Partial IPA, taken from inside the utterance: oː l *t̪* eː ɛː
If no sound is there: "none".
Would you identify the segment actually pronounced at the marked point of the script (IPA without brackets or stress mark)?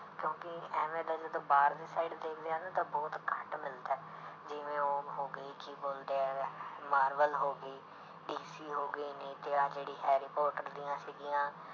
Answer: d̪